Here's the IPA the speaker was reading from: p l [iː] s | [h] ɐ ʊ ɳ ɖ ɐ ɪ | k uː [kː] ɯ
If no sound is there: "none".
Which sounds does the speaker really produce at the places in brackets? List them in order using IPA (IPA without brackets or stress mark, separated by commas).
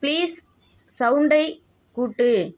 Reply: iː, s, ʈː